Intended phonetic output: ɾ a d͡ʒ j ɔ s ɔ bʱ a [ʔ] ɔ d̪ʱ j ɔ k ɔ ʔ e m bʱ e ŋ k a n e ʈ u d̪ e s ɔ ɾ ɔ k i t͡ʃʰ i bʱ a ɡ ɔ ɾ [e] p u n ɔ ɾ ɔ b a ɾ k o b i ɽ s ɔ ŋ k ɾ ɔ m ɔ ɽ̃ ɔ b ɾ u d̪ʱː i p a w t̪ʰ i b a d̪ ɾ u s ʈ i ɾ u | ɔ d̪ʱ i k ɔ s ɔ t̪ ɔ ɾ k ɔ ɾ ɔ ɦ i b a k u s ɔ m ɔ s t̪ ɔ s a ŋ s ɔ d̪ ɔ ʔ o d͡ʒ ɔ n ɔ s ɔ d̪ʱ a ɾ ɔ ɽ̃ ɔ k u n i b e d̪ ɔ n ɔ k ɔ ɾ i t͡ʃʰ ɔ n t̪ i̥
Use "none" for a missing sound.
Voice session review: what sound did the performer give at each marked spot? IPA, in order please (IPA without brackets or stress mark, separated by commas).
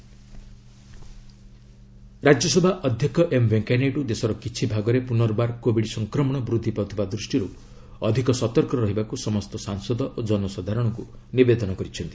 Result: ʔ, e